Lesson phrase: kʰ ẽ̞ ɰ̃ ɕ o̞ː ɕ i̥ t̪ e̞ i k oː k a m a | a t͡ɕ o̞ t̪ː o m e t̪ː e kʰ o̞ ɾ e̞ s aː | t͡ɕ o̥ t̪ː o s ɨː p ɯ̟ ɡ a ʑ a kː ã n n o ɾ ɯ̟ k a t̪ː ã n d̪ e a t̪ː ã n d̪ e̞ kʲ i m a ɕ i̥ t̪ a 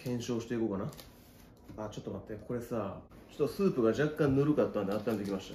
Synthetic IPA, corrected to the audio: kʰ ẽ̞ ɰ̃ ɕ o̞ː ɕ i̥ t̪ e̞ i k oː k a n a | a t͡ɕ o̞ t̪ː o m a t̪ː e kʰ o̞ ɾ e̞ s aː | t͡ɕ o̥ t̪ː o s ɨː p ɯ̟ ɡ a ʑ a kː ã n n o ɾ ɯ̟ k a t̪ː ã n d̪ e a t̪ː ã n d̪ e̞ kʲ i m a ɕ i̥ t̪ a